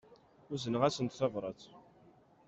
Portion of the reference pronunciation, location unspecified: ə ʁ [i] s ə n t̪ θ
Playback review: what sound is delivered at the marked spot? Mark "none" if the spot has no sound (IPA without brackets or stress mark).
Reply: æ